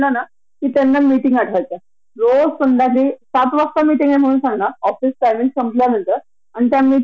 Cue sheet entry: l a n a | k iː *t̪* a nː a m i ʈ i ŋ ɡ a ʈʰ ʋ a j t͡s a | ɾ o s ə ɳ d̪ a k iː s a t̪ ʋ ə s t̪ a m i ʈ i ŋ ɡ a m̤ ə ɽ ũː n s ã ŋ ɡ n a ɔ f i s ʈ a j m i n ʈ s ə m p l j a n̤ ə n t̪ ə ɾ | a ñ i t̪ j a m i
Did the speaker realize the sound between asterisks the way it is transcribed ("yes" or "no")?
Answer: yes